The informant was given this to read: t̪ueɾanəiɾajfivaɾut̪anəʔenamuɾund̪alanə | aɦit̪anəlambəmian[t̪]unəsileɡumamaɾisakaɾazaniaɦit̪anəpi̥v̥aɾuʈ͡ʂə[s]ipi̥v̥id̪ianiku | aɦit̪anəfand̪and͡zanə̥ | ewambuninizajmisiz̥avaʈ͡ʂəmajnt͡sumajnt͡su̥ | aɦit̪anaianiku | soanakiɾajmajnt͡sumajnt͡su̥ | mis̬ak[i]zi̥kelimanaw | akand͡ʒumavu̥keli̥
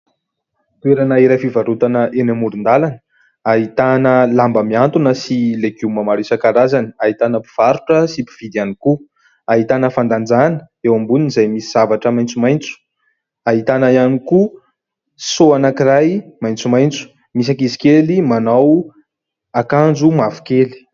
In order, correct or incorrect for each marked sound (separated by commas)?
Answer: correct, correct, correct